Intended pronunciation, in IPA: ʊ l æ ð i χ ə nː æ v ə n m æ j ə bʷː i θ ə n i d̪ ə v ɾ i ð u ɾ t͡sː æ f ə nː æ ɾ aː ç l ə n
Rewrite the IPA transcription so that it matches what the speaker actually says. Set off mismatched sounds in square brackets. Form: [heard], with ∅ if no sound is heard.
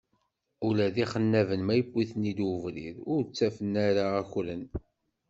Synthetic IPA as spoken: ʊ l æ ð i χ ə nː æ v ə n m æ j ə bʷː i θ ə n i d̪ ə v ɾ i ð [ʊ] ɾ t͡sː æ f ə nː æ ɾ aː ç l ə n